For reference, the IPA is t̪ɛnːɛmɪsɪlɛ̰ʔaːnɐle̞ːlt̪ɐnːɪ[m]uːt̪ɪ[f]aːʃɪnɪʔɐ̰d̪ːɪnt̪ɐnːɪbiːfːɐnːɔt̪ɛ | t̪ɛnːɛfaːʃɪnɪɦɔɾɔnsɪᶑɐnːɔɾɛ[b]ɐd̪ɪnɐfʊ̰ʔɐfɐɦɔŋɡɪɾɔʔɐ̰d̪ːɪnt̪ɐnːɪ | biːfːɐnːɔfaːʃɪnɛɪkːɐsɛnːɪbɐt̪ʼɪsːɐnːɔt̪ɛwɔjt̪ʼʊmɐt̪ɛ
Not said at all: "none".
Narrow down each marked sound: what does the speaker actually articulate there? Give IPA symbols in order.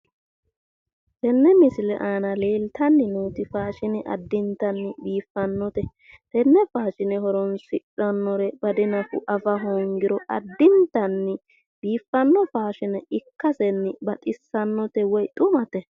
n, f, b

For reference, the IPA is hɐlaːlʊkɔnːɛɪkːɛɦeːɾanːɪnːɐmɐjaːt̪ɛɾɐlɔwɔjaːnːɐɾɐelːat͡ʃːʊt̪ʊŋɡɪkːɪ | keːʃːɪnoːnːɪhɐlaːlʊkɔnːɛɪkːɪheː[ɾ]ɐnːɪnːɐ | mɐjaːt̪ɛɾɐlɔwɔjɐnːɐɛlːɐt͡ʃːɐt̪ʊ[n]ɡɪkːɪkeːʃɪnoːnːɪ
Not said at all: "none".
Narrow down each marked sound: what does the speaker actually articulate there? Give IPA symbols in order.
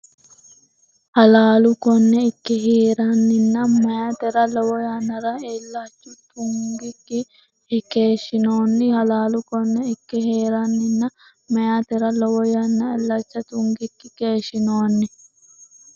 ɾ, ŋ

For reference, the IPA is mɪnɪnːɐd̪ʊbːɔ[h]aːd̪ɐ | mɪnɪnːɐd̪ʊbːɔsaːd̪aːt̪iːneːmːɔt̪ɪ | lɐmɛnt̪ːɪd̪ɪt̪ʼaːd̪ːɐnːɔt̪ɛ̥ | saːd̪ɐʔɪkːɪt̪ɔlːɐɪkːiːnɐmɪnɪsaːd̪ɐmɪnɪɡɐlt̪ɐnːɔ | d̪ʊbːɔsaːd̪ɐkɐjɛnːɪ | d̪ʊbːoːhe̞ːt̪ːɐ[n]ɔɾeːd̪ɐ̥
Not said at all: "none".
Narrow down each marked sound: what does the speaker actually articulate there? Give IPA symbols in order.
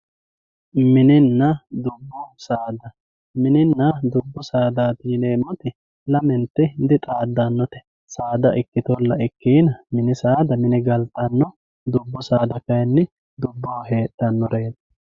s, nː

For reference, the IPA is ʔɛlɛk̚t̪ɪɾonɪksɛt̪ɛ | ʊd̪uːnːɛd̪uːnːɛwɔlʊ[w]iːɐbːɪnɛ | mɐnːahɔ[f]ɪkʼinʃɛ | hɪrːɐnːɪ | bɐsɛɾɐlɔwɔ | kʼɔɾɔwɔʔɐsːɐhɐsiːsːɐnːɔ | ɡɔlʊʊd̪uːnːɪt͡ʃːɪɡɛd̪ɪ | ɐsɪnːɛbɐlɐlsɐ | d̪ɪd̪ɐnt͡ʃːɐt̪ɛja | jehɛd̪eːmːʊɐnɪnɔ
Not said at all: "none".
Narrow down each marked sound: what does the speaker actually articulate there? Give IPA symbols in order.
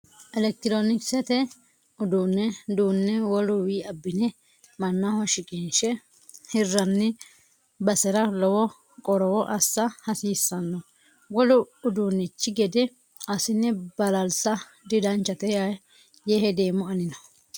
w, ʃ

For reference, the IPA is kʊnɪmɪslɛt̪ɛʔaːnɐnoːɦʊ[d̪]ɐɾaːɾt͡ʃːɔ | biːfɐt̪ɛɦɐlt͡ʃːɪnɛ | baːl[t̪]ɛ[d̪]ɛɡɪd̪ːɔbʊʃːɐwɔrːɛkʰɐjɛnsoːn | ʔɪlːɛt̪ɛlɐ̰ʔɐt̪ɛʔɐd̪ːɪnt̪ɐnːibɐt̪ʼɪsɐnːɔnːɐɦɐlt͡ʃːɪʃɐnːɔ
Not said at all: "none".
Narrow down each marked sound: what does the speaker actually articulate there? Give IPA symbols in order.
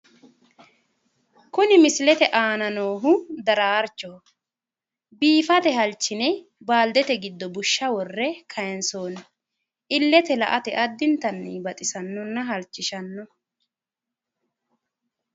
d̪, d̪, t̪

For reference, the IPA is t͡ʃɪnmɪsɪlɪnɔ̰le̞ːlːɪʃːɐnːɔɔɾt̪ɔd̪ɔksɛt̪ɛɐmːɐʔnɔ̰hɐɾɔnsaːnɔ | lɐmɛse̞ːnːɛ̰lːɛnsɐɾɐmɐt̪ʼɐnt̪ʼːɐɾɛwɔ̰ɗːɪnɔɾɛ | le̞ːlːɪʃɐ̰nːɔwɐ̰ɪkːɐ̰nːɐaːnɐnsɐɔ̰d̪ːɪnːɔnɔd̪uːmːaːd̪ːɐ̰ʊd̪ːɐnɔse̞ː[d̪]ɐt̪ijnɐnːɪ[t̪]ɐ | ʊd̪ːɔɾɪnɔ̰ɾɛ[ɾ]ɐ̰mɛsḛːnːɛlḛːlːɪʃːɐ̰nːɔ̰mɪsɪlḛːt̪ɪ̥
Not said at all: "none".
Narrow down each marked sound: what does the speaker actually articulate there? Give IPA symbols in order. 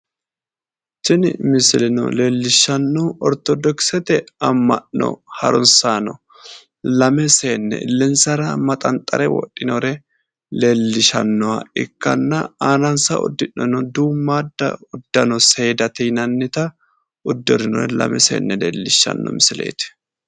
d̪, t̪, l

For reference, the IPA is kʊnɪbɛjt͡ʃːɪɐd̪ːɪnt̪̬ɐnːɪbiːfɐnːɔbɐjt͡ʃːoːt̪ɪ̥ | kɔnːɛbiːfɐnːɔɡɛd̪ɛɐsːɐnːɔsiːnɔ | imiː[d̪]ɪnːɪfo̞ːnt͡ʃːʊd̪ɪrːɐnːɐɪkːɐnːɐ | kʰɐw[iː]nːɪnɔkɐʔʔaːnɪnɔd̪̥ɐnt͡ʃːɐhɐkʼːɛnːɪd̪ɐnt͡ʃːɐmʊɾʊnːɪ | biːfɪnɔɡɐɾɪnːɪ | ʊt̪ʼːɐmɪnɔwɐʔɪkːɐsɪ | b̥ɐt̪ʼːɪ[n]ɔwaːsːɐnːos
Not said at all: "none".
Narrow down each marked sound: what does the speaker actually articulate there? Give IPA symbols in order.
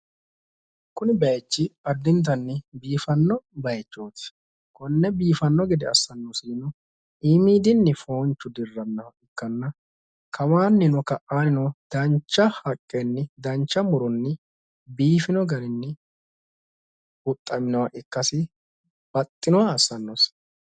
d̪, aː, n

